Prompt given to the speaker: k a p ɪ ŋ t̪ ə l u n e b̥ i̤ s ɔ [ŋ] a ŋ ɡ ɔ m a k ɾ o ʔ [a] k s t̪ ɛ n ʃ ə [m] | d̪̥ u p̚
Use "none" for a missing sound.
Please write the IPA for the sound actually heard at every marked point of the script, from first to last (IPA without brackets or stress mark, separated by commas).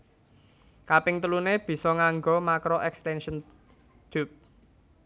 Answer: ŋ, ɛ, n